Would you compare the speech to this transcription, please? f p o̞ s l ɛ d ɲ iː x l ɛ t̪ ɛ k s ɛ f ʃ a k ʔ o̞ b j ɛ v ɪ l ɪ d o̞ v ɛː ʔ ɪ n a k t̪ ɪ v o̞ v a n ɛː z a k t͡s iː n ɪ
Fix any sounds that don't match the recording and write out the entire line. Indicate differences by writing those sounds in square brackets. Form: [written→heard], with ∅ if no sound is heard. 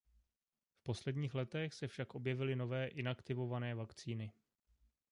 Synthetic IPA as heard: f p o̞ s l ɛ d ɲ iː x l ɛ t̪ ɛ [k→x] s ɛ f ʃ a k ʔ o̞ b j ɛ v ɪ l ɪ [d→n] o̞ v ɛː ʔ ɪ n a k t̪ ɪ v o̞ v a n ɛː [z→v] a k t͡s iː n ɪ